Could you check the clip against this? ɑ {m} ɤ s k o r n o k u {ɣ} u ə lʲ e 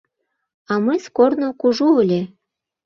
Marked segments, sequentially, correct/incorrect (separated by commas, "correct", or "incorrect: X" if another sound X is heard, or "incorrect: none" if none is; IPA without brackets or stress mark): correct, incorrect: ʒ